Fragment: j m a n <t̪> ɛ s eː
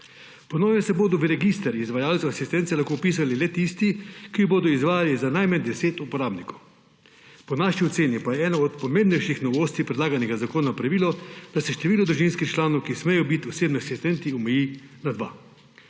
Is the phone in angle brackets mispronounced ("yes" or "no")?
yes